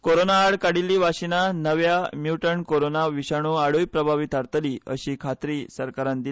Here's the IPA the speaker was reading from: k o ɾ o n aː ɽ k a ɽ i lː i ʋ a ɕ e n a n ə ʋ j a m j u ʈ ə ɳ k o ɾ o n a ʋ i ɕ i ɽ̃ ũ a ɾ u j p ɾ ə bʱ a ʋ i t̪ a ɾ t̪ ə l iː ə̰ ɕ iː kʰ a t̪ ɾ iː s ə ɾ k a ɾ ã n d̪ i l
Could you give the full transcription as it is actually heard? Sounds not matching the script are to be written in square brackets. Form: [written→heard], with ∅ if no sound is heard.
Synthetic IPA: k o ɾ o n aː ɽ k a ɽ i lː i ʋ a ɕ [e→i] n a n ə ʋ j a m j u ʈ ə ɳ k o ɾ o n a ʋ i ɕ [i→a] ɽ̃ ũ a [ɾ→ɽ] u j p ɾ ə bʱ a ʋ i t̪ a ɾ t̪ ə l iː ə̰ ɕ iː kʰ a t̪ ɾ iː s ə ɾ k a ɾ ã n d̪ i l